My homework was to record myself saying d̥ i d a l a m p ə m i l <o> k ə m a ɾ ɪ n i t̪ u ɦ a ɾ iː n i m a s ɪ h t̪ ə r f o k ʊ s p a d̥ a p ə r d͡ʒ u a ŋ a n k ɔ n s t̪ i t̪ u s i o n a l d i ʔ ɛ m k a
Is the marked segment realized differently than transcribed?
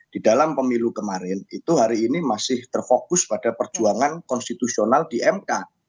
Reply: yes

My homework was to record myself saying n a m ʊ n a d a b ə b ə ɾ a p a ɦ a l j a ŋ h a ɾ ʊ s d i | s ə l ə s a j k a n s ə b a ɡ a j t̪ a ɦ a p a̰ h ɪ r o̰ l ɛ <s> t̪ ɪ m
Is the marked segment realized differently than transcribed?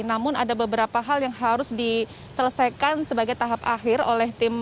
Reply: yes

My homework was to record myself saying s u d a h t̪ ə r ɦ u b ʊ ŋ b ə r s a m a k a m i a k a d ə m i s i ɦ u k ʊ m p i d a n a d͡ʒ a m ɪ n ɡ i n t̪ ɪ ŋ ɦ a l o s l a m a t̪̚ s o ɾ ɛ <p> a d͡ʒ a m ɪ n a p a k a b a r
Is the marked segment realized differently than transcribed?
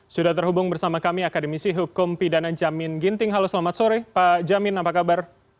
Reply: no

